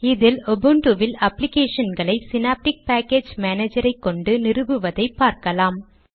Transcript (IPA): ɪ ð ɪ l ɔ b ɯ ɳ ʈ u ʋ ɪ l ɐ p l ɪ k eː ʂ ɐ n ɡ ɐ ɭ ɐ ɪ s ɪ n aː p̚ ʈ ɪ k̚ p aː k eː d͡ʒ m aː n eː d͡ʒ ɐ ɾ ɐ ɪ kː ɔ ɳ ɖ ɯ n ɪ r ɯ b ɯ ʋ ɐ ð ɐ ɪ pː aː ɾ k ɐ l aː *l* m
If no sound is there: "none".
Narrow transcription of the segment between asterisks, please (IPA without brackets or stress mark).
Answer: none